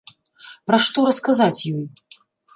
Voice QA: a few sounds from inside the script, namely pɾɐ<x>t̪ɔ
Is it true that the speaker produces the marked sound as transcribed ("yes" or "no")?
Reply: no